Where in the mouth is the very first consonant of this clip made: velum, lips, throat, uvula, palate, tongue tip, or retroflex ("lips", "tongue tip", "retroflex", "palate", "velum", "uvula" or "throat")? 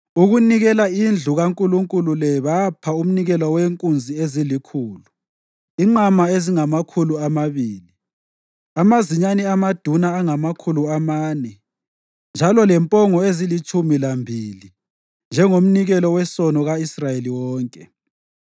velum